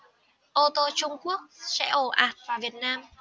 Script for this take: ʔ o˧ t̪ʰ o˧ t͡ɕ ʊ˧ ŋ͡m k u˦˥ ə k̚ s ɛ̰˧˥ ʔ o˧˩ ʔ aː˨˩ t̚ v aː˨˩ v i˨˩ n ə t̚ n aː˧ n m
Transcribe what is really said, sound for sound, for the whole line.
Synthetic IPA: ʔ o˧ t̪ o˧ t͡ɕ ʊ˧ ŋ͡m k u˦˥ ə k̚ s ɛ̰˧˥ ʔ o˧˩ ʔ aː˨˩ t̚ v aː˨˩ v i˨˩ ə t̚ n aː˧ m